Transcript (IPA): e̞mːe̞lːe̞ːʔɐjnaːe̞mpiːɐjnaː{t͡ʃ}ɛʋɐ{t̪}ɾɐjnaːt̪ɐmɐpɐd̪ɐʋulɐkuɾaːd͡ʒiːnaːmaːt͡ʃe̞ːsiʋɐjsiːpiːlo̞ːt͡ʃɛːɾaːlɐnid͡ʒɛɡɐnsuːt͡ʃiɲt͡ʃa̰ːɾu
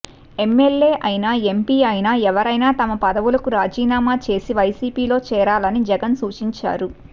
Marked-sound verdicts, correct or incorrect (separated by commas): incorrect, incorrect